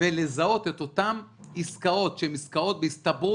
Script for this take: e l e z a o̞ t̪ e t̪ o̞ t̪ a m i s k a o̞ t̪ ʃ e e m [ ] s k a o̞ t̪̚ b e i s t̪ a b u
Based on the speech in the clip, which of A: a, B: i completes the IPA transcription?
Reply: B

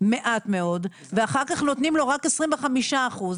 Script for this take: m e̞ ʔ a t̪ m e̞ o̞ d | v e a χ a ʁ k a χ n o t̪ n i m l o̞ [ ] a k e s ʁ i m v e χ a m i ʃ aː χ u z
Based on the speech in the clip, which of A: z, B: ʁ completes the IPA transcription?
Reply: B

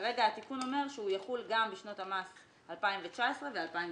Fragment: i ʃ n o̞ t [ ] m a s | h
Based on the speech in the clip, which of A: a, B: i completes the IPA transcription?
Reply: A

